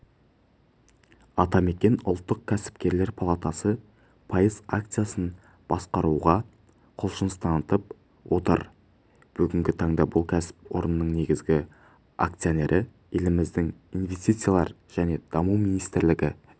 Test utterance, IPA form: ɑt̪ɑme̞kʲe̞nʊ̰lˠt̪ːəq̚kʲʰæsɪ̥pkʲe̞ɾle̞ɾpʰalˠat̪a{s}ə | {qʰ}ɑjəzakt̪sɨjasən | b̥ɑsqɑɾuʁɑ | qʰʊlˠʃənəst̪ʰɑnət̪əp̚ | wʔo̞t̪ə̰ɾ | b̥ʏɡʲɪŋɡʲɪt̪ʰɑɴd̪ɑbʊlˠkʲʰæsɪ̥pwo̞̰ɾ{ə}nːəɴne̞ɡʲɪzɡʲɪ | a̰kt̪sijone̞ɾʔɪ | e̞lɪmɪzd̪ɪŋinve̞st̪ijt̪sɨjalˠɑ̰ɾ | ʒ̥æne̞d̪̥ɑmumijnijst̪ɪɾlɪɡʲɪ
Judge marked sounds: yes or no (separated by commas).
yes, no, yes